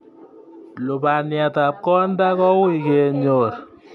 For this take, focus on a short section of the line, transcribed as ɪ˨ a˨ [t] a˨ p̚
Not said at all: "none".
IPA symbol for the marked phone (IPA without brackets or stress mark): t